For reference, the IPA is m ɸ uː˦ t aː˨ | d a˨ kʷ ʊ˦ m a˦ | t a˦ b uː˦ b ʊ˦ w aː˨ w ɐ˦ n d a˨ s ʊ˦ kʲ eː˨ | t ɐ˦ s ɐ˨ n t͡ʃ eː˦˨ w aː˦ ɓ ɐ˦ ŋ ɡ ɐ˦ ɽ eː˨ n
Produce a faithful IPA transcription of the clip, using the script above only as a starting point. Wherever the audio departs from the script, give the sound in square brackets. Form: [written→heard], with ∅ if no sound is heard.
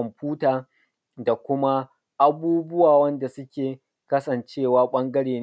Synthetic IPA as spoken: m ɸ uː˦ t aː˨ | d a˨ kʷ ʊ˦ m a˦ | [t→ʔ] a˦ b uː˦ b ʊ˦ w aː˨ w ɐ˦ n d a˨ s ʊ˦ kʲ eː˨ | [t→k] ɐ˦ s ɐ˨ n t͡ʃ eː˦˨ w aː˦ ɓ ɐ˦ ŋ ɡ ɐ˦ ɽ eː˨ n